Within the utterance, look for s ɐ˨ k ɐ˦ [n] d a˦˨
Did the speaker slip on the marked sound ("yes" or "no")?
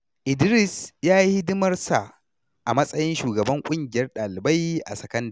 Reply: no